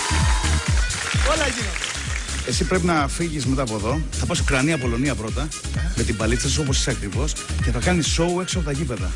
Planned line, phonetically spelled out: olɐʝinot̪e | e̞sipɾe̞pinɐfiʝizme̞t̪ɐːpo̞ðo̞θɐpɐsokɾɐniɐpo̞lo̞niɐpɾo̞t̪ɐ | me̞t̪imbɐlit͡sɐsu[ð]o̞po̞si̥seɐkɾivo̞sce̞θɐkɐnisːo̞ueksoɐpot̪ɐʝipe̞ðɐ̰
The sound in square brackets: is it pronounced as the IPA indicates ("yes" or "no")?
no